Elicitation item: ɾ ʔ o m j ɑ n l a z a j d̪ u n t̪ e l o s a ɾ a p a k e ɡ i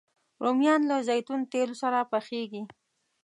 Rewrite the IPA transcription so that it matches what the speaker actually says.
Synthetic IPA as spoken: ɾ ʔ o m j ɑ n l a z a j t̪ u n t̪ e l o s a ɾ a p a x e ɡ i